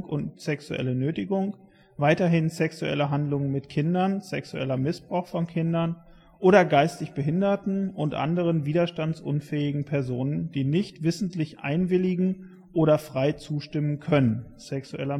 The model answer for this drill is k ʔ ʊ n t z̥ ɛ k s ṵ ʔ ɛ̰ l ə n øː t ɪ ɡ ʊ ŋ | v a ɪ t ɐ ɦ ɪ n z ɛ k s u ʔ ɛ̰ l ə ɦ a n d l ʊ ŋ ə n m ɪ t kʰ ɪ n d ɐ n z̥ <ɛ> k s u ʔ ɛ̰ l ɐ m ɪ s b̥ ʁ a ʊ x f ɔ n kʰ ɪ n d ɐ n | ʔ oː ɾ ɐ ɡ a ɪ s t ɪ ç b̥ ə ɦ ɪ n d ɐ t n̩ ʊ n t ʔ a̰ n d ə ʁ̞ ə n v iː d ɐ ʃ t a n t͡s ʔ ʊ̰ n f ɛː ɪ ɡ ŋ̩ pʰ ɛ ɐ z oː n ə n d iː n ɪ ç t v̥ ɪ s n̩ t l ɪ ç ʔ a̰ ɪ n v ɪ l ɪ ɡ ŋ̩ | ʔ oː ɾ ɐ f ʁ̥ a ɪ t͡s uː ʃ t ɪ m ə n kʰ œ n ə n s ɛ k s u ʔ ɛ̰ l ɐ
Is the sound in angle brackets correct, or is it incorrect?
correct